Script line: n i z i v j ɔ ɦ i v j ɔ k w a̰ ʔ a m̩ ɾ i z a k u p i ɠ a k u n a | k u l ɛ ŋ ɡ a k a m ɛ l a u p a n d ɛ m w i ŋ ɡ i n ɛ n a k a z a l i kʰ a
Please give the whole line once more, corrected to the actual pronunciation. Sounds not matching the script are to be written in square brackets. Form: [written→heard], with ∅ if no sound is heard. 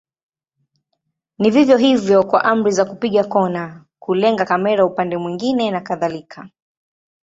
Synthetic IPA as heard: n i [z→v] i v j ɔ ɦ i v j ɔ k w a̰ ʔ a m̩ ɾ i z a k u p i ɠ a k [u→ɔ] n a | k u l ɛ ŋ ɡ a k a m ɛ [l→ɾ] a u p a n d ɛ m w i ŋ ɡ i n ɛ n a k a [z→ð] a l i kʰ a